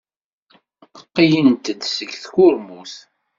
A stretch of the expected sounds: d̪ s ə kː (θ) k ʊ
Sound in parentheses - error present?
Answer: no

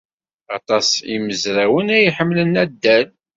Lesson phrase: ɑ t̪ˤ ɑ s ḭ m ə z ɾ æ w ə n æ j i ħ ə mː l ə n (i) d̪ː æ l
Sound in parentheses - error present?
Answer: yes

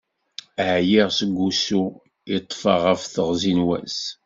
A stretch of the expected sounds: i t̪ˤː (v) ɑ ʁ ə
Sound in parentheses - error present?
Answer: yes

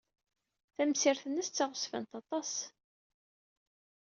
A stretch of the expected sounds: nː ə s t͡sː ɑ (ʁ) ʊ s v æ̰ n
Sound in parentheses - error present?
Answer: no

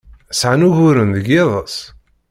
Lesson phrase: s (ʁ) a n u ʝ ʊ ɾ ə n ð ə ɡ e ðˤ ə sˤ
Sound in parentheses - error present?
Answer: yes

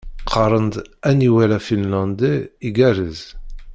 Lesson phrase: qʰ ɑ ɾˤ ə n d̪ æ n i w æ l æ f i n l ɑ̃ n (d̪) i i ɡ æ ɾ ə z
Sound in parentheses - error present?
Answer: no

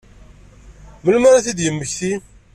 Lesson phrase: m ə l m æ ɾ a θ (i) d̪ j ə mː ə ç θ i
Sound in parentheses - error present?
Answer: no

